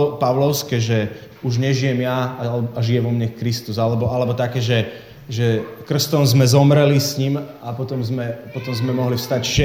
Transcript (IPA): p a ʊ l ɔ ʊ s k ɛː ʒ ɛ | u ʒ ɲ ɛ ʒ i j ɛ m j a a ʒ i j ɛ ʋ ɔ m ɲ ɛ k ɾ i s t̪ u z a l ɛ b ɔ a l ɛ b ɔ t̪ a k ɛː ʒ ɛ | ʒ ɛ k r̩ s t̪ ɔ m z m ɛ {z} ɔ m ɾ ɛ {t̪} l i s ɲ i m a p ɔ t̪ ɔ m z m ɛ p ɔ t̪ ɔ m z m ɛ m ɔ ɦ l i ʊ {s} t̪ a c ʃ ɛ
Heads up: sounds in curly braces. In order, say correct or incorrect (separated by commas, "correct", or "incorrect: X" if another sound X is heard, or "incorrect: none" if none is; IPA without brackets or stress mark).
correct, incorrect: none, correct